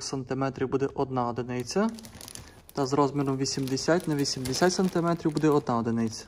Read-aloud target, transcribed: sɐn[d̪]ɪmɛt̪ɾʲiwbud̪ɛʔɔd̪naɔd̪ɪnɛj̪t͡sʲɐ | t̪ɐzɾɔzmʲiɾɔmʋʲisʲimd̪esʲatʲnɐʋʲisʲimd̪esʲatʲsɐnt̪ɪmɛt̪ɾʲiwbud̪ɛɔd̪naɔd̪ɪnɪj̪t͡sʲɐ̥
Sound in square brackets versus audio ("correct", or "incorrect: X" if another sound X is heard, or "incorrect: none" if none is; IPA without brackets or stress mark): incorrect: t̪